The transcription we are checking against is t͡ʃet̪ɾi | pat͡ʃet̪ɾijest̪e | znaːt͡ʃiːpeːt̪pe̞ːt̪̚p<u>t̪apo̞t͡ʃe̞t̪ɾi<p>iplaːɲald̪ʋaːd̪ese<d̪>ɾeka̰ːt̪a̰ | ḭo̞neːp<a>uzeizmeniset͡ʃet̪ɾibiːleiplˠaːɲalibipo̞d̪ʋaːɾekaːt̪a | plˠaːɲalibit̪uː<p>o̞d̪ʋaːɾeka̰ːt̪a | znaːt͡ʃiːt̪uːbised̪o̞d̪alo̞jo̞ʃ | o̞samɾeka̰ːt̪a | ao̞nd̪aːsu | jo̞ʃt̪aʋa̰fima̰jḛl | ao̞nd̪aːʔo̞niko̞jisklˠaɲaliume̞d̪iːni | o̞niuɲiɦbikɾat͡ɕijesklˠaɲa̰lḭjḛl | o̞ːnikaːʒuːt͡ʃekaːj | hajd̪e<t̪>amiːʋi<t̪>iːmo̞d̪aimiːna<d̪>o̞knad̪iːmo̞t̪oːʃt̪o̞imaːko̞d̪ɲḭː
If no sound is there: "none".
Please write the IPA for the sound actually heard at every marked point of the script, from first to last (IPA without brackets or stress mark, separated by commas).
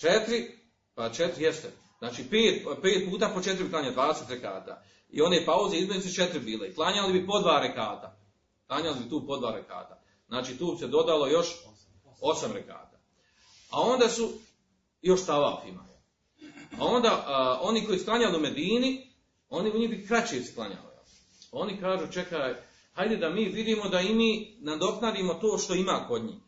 uː, b, t̪, a, p, d̪, d̪, d̪